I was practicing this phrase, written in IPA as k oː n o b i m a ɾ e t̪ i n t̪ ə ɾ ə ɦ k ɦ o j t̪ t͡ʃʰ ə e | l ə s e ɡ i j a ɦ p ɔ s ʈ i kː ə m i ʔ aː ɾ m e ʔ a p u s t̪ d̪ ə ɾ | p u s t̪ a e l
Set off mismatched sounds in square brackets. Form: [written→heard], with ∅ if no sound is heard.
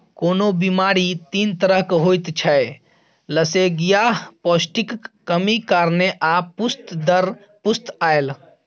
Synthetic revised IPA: k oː n o b i m a ɾ [e→i] t̪ i n t̪ ə ɾ ə ɦ k ɦ o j t̪ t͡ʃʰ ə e | l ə s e ɡ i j a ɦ p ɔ s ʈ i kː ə m i [ʔ→k] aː ɾ [m→n] e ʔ a p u s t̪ d̪ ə ɾ | p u s t̪ a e l